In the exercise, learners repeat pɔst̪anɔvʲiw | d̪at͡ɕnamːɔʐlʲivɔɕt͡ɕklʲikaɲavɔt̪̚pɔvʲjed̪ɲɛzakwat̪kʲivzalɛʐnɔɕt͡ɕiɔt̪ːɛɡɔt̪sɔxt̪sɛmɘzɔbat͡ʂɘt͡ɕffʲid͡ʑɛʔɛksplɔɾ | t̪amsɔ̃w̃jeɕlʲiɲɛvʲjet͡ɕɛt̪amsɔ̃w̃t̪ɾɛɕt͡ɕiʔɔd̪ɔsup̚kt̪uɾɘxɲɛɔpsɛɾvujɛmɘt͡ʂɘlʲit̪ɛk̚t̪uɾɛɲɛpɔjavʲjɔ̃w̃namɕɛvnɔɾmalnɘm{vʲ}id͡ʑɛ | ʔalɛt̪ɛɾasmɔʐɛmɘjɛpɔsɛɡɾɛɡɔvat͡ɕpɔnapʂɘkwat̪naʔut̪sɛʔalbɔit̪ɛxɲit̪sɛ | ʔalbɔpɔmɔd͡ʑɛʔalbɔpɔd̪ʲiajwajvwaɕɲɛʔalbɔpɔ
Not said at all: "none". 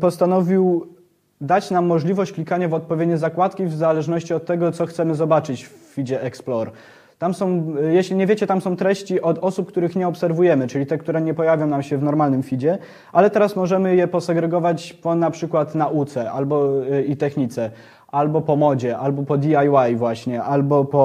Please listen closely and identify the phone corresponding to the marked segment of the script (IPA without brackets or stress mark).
fʲ